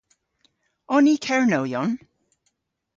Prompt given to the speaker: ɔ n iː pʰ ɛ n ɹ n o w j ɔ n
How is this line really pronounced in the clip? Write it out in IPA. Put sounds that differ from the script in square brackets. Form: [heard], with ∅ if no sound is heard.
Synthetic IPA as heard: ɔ n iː [kʰ] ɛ [∅] ɹ n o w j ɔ n